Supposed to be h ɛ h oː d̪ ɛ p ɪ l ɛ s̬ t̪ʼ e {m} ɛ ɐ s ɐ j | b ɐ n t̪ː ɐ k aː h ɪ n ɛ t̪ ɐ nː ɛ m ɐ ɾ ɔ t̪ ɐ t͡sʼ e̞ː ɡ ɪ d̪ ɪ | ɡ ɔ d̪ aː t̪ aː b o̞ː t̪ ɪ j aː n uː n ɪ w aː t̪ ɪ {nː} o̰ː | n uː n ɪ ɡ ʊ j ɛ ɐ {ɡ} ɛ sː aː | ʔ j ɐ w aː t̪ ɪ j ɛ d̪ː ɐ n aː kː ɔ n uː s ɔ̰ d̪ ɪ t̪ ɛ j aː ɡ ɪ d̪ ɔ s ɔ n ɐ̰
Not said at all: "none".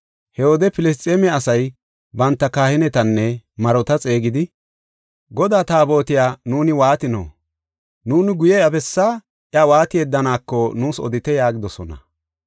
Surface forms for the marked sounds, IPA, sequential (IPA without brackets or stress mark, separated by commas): m, n, b